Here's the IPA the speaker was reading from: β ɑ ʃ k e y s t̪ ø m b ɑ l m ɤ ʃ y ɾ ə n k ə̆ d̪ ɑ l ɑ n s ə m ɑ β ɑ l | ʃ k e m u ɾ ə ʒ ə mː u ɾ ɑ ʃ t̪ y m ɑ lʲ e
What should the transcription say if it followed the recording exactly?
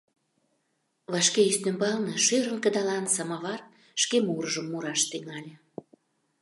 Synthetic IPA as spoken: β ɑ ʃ k e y s t̪ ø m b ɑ l n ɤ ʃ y ɾ ə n k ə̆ d̪ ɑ l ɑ n s ɑ m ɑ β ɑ r | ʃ k e m u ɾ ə ʒ ə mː u ɾ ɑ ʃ t̪ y ŋ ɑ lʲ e